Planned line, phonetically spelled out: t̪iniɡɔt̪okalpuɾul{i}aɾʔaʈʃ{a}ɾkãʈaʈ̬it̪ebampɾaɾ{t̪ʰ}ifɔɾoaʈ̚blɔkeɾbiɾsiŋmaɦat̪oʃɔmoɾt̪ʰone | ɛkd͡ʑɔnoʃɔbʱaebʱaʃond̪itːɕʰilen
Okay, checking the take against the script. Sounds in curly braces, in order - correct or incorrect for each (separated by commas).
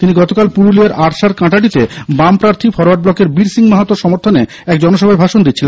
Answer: correct, correct, correct